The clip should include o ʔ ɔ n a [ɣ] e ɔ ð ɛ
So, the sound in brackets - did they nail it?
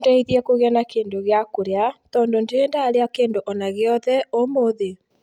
yes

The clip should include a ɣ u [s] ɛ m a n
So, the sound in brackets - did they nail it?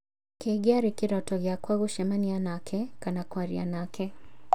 no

